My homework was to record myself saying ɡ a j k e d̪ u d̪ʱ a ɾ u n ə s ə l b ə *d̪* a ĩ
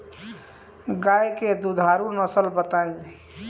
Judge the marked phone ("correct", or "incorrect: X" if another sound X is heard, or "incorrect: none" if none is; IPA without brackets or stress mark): incorrect: t̪